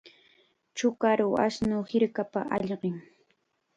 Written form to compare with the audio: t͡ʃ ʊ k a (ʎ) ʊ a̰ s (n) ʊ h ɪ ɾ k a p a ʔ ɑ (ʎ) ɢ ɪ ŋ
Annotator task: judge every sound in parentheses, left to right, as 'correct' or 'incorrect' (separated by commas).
incorrect, correct, correct